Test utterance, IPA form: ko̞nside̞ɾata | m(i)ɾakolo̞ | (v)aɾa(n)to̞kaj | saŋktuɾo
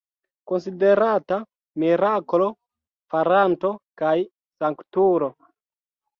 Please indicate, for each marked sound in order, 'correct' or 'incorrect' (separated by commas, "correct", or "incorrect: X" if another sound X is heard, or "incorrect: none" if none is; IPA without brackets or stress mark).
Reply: correct, incorrect: f, correct